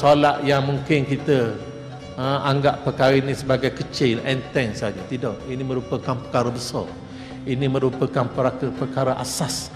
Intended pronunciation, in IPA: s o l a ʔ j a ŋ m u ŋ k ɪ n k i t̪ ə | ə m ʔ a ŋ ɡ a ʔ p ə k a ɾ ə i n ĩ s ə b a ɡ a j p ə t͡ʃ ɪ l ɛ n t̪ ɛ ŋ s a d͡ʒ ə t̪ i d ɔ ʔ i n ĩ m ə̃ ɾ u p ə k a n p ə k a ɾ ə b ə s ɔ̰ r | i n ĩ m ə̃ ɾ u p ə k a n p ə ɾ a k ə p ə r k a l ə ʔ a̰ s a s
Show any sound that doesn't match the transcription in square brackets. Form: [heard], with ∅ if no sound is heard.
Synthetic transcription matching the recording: s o l a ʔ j a ŋ m u ŋ k ɪ n k i t̪ ə | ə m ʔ a ŋ ɡ a ʔ p ə k a ɾ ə i n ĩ s ə b a ɡ a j [k] ə t͡ʃ ɪ l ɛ n t̪ ɛ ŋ s a d͡ʒ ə t̪ i d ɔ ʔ i n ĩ m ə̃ ɾ u p ə k a n p ə k a ɾ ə b ə s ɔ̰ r | i n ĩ m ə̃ ɾ u p ə k a n p ə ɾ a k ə p ə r k a [ɾ] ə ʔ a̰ s a s